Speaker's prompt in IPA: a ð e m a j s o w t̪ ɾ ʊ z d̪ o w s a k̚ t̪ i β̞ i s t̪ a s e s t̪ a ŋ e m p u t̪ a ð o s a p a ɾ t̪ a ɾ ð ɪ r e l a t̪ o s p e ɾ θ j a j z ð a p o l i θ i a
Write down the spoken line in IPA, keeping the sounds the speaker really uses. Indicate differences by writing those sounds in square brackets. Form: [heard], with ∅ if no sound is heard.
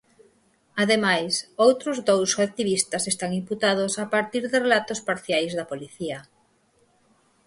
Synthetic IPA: a ð e m a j s o w t̪ ɾ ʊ z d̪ o w s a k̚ t̪ i β̞ i s t̪ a s e s t̪ a ŋ [i] m p u t̪ a ð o s a p a ɾ t̪ [i] ɾ ð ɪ r e l a t̪ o s p [a] ɾ θ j a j z ð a p o l i θ i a